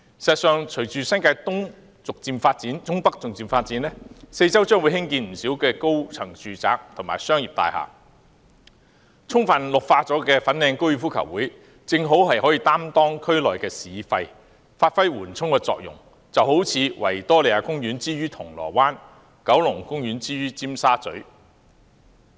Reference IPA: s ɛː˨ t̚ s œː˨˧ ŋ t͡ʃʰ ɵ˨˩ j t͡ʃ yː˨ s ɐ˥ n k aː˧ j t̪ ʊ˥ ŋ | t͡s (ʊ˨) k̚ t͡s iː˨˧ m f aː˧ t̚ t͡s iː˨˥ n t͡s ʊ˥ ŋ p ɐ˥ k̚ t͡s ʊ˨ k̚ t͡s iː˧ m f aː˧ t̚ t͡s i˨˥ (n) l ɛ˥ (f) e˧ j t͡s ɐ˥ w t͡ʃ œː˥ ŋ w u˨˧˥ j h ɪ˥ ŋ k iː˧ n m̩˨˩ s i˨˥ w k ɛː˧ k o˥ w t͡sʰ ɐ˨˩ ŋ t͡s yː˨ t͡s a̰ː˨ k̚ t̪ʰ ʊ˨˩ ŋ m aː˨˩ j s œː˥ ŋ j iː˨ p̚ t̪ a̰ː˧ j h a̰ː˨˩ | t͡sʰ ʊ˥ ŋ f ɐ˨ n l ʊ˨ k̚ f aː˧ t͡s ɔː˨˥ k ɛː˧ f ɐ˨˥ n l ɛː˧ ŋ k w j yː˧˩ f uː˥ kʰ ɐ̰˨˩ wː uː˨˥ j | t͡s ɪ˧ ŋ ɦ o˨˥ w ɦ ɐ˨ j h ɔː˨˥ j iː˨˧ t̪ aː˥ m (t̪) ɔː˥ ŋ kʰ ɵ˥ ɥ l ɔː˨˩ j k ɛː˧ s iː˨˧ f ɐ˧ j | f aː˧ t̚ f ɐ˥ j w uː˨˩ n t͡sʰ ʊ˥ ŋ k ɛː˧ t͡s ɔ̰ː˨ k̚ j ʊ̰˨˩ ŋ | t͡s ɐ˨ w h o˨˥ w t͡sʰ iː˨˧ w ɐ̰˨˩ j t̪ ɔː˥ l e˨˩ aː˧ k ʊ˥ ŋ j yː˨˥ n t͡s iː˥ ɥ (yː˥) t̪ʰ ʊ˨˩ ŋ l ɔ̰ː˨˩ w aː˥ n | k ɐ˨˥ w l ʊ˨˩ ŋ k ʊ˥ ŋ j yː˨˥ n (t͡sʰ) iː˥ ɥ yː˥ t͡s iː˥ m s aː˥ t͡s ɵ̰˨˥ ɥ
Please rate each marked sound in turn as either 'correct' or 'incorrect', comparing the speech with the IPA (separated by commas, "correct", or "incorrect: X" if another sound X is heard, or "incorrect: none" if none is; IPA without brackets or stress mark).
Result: correct, correct, incorrect: s, correct, correct, incorrect: t͡s